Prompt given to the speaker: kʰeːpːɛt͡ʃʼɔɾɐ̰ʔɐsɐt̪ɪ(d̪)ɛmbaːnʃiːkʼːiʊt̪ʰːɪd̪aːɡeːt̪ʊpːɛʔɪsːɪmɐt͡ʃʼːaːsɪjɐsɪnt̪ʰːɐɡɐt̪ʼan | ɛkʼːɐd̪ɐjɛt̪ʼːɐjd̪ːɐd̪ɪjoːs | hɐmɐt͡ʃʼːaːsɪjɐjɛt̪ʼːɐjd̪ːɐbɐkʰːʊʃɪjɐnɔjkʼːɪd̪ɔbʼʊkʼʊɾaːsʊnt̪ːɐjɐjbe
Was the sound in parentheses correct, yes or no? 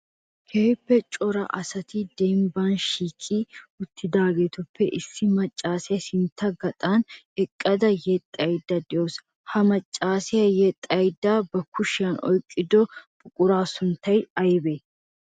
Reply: yes